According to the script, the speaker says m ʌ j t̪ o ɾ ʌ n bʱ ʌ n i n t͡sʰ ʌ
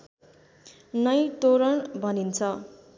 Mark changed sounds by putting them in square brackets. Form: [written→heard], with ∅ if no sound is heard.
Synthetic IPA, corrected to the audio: [m→n] ʌ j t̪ o ɾ ʌ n bʱ ʌ n i n t͡sʰ ʌ